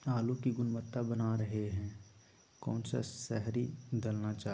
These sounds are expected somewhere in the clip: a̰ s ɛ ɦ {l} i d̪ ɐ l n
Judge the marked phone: incorrect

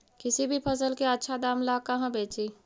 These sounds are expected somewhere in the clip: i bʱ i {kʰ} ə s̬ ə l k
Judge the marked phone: incorrect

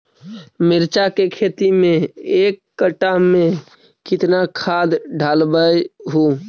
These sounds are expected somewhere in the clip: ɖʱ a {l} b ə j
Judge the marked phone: correct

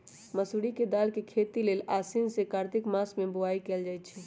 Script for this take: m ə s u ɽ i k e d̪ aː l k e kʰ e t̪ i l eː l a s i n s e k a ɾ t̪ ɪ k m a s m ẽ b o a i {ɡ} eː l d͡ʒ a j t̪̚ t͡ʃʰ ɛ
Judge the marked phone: incorrect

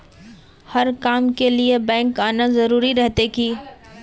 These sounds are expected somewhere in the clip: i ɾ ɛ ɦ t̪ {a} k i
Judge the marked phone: incorrect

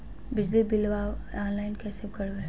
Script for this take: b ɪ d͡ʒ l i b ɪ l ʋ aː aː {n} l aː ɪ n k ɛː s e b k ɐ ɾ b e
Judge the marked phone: correct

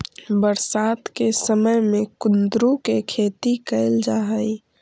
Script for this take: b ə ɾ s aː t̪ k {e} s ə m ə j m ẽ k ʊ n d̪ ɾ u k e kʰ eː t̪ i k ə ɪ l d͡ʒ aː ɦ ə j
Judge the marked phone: correct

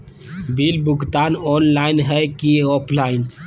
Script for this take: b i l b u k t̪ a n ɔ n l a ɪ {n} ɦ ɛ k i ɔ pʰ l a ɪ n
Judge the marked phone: correct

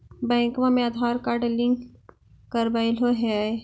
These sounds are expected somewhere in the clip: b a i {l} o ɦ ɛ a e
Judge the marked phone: correct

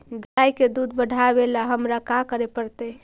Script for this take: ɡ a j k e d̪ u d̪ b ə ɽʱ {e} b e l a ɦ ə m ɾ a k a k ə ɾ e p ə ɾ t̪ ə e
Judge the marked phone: incorrect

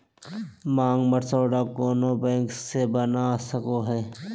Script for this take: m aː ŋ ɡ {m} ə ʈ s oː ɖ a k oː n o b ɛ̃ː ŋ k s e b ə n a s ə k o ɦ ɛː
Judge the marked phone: correct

